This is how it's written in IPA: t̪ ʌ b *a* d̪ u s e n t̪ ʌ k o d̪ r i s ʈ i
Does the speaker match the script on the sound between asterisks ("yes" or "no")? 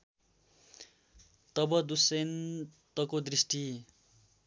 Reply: no